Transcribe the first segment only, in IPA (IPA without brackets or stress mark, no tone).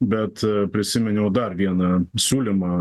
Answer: bʲ